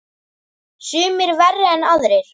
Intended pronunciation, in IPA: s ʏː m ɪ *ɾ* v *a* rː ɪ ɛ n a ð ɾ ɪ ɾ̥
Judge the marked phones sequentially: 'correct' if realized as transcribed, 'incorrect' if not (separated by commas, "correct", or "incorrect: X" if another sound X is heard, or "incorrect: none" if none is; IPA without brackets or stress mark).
correct, incorrect: ɛ